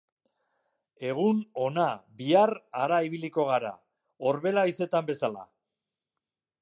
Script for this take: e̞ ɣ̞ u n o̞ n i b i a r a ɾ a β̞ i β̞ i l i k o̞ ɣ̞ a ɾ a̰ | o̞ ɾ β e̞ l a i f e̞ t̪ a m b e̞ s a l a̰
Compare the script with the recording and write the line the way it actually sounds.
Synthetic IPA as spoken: e̞ ɣ̞ u n o̞ n a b i a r a ɾ a i β̞ i l i k o̞ ɣ̞ a ɾ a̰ | o̞ ɾ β e̞ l a i s e̞ t̪ a m b e̞ s a l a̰

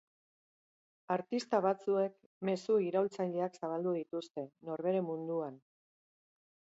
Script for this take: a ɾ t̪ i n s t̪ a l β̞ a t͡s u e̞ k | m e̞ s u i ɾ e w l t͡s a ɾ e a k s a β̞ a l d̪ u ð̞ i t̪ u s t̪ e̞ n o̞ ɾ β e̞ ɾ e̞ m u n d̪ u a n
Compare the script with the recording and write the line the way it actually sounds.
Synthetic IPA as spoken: a ɾ t̪ i s t̪ a β̞ a t͡s u e̞ k | m e̞ s u i ɾ a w l t͡s a ʎ e a k s a β̞ a l d̪ u ð̞ i t̪ u s t̪ e̞ n o̞ ɾ β e̞ ɾ e̞ m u n d̪ u a n

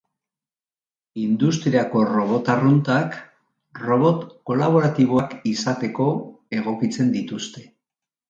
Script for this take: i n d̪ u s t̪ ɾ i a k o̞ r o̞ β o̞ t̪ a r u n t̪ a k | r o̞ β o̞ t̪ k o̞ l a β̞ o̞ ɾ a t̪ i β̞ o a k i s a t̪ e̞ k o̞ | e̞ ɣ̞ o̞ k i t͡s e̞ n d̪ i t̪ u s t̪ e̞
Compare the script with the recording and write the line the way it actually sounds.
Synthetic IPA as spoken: i n d̪ u s t̪ ɾ i a k o̞ r o̞ β o̞ t̪ a r u n t̪ a k | r o̞ β o̞ t̪ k o̞ l a β̞ o̞ ɾ a t̪ i β̞ o a k i s a t̪ e̞ k o̞ | e̞ ɣ̞ o̞ k i t͡s e̞ n d̪ i t̪ u s t̪ e̞

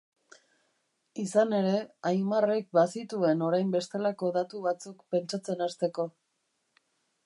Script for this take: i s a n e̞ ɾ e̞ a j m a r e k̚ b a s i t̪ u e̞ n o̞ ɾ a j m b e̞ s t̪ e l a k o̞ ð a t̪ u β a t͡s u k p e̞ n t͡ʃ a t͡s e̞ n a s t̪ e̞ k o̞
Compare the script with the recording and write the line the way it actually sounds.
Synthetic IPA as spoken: i s a n e̞ ɾ e̞ a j m a r e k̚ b a s i t̪ u e̞ n o̞ ɾ a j m b e̞ s t̪ e l a k o̞ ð a t̪ u β a t͡s u k p e̞ n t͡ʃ a t͡s e̞ n a s t̪ e̞ k o̞

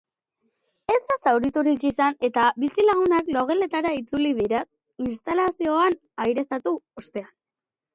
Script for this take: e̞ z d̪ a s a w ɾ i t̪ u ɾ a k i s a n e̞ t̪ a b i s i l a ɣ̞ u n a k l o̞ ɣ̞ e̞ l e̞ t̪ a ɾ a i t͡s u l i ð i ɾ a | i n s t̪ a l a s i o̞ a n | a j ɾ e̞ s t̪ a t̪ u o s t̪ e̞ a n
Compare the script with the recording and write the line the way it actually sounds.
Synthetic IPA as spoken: e̞ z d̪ a s a w ɾ i t̪ u ɾ i k i s a n e̞ t̪ a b i s i l a ɣ̞ u n a k l o̞ ɣ̞ e̞ l e̞ t̪ a ɾ a i t͡s u l i ð i ɾ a | i n s t̪ a l a s i o̞ a n | a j ɾ e̞ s t̪ a t̪ u o s t̪ e̞ a n

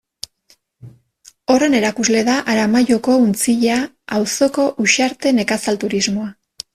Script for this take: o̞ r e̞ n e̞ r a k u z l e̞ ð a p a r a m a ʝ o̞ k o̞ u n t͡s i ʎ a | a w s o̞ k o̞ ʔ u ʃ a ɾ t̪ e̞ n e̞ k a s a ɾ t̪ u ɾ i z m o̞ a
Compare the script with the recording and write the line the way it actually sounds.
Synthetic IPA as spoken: o̞ r e̞ n e̞ ɾ a k u z l e̞ ð a ʔ a ɾ a m a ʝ o̞ k o̞ u n t͡s i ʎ a | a w s o̞ k o̞ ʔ u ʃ a ɾ t̪ e̞ n e̞ k a s a l t̪ u ɾ i z m o̞ a

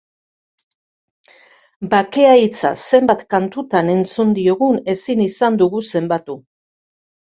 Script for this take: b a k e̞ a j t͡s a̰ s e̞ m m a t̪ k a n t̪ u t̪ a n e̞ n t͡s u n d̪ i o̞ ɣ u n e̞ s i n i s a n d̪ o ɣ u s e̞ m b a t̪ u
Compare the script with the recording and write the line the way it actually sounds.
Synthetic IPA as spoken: b a k e̞ a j t͡s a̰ s e̞ m b a t̪ k a n t̪ u t̪ a n e̞ n t͡s u n d̪ i o̞ ɣ u n e̞ s i n i s a n d̪ u ɣ u s e̞ m b a t̪ u

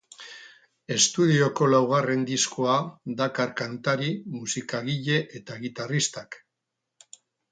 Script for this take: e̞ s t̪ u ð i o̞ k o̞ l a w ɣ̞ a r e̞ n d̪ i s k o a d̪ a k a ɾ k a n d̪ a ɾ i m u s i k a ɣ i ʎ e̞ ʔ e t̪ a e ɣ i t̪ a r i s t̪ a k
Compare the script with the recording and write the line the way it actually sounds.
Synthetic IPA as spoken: e̞ s t̪ u ð i o̞ k o̞ l a w ɣ̞ a r e̞ n d̪ i s k o a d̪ a k a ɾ k a n t̪ a ɾ i m u s i k a ɣ i ʎ e̞ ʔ e t̪ a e ɣ i t̪ a r i s t̪ a k

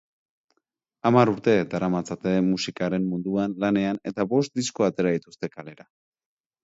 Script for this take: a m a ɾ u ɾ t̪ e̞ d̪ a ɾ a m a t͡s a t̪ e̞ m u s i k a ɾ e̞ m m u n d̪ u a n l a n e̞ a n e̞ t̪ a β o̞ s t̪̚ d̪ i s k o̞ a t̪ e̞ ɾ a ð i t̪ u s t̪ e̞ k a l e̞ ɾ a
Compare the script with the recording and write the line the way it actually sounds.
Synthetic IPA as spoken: a m a ɾ u ɾ t̪ e̞ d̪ a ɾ a m a t͡s a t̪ e̞ m u s i k a ɾ e̞ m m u n d̪ u a n l a n e̞ a n e̞ t̪ a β o̞ s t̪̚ d̪ i s k o̞ a t̪ e̞ ɾ a ð i t̪ u s t̪ e̞ k a l e̞ ɾ a

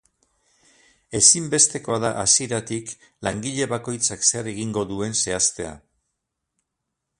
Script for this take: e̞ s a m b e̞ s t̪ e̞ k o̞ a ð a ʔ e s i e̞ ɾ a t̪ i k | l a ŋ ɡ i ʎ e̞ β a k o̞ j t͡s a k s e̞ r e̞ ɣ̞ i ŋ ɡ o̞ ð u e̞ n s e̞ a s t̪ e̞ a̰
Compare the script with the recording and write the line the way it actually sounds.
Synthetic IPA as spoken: e̞ s i m b e̞ s t̪ e̞ k o̞ a ð a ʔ a s i e̞ ɾ a t̪ i k | l a ŋ ɡ i ʎ e̞ β a k o̞ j t͡s a k s e̞ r e̞ ɣ̞ i ŋ ɡ o̞ ð u e̞ n s e̞ a s t̪ e̞ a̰

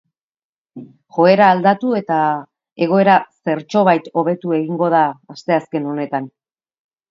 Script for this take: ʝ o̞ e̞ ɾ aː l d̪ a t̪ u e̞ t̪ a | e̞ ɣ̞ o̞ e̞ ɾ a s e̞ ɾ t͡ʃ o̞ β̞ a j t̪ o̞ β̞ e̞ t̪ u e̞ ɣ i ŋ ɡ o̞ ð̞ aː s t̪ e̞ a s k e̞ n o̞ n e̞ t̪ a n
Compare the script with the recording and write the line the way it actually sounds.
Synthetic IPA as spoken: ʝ o̞ e̞ ɾ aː l d̪ a t̪ u e̞ t̪ a | e̞ ɣ̞ o̞ e̞ ɾ a s e̞ ɾ t͡ʃ o̞ β̞ a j t̪ o̞ β̞ e̞ t̪ u e̞ ɣ i ŋ ɡ o̞ ð̞ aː s t̪ e̞ a s k e̞ n o̞ n e̞ t̪ a n

